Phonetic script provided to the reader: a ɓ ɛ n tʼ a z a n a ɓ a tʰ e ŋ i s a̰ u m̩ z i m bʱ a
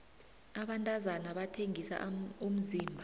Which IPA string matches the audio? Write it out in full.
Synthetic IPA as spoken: a ɓ a n tʼ a z a n a ɓ a tʰ e ŋ i s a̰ u m̩ z iː m bʱ a